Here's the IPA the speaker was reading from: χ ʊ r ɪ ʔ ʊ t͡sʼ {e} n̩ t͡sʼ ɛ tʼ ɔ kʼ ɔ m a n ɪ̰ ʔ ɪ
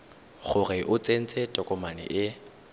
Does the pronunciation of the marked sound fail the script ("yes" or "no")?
no